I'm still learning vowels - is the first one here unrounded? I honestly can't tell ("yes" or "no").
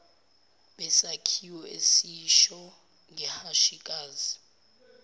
yes